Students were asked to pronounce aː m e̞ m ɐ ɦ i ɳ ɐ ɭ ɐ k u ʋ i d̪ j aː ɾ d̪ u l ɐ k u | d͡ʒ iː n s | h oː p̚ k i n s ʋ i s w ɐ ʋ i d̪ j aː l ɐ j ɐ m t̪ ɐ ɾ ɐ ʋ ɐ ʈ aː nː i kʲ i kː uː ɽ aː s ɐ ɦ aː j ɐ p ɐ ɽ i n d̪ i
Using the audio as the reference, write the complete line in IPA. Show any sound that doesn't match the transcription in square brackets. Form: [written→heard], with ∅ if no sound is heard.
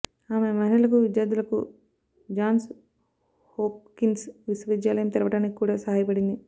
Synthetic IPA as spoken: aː m e̞ m ɐ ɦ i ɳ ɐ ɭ ɐ k u ʋ i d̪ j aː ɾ d̪ u l ɐ k u | d͡ʒ [iː→aː] n s | h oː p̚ k i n s ʋ i s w ɐ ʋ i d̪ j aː l ɐ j ɐ m t̪ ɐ ɾ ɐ ʋ ɐ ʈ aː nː i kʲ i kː uː ɽ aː s ɐ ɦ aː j ɐ p ɐ ɽ i n d̪ i